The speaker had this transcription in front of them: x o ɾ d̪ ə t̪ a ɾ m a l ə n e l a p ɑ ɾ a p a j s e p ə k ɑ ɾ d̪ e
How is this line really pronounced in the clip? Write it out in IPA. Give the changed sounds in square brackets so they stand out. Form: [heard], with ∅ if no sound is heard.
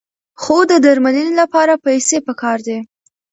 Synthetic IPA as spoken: x o [∅] d̪ ə [d̪] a ɾ m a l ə n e l a p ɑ ɾ a p a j s e p ə k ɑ ɾ d̪ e